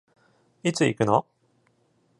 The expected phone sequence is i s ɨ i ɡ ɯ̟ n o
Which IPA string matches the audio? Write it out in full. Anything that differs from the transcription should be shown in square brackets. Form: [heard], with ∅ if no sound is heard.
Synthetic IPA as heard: i [t͡s] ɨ i [k] ɯ̟ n o